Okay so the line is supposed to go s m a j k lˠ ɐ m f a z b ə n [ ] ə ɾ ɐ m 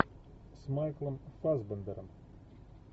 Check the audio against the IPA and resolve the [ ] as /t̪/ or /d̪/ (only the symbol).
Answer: d̪